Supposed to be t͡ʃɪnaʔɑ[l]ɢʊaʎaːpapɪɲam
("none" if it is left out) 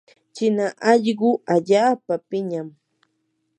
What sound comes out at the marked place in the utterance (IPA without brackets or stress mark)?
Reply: ʎ